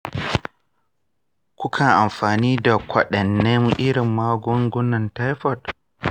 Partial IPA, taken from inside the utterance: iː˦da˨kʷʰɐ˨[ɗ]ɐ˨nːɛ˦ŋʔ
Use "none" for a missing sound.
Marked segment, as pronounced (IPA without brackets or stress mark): ɗ